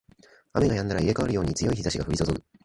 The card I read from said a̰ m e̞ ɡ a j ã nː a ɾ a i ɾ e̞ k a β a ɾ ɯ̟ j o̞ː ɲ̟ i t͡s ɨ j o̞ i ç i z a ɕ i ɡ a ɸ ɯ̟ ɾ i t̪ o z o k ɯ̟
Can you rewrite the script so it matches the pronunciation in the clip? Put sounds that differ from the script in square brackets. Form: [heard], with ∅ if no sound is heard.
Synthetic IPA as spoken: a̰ m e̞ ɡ a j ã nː a ɾ a i ɾ e̞ k a β a ɾ ɯ̟ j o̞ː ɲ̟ i t͡s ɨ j o̞ i ç i z a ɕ i ɡ a ɸ ɯ̟ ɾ i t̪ o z o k ɯ̟